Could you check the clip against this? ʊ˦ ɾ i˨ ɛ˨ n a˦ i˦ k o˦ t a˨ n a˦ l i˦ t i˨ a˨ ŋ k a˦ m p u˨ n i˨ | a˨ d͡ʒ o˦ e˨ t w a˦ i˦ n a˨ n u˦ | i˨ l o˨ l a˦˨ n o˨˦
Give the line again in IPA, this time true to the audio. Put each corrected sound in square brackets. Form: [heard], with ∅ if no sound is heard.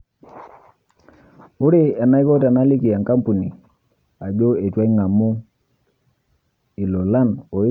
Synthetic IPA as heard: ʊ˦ ɾ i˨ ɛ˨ n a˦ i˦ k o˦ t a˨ n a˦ l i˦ [k] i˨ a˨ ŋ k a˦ m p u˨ n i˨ | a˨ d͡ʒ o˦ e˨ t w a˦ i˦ [ŋ] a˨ [m] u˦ | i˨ l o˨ l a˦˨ n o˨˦